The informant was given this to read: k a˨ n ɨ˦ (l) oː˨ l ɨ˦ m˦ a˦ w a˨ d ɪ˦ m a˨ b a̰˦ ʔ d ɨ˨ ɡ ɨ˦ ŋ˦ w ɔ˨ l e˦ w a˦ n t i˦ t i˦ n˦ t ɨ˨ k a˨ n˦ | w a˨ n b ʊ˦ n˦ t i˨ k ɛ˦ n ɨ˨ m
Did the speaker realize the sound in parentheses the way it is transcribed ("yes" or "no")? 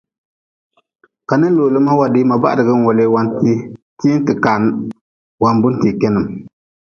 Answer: yes